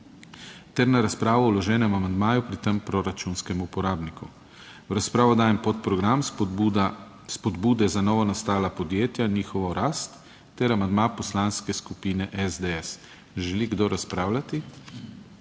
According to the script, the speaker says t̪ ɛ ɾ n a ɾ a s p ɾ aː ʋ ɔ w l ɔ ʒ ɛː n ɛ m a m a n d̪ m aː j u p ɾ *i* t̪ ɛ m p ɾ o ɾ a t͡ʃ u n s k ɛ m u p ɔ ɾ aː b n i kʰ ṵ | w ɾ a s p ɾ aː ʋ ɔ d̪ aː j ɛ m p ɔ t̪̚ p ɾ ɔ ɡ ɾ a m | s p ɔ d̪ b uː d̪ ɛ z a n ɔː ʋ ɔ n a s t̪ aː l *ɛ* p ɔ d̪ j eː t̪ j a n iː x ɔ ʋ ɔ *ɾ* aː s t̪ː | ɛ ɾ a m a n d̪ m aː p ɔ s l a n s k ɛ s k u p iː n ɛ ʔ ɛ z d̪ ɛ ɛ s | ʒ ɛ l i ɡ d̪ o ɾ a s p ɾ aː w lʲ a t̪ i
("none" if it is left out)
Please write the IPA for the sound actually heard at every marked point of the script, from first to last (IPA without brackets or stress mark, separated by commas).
i, a, ɾ